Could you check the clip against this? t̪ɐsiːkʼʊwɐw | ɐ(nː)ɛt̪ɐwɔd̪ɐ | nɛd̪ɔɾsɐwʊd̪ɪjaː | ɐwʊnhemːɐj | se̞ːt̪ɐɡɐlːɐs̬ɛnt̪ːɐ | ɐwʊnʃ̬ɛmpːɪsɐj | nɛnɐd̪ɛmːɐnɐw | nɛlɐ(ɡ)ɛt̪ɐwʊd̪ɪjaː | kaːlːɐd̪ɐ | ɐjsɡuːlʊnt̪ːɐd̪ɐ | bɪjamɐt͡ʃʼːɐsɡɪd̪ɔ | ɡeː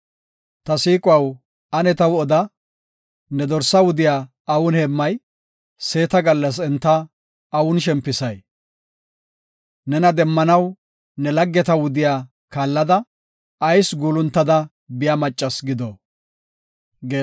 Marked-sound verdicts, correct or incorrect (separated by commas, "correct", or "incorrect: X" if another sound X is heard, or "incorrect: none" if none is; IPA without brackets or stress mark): incorrect: n, incorrect: ɡː